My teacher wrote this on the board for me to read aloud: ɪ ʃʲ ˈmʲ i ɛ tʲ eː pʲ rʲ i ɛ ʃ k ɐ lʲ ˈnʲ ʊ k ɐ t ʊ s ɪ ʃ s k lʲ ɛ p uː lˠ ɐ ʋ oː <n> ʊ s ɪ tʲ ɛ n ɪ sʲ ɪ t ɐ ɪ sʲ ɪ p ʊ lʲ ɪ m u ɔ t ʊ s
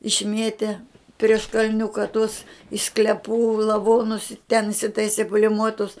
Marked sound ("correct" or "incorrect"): correct